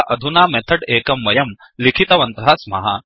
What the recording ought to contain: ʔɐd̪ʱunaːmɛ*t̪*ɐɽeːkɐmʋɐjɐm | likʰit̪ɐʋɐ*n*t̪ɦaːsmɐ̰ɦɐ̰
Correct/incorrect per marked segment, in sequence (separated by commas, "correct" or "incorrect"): incorrect, correct